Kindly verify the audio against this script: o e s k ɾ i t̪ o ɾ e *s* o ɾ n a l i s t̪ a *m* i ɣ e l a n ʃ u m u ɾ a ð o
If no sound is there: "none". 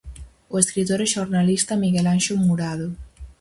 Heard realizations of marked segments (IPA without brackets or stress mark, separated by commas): ʃ, m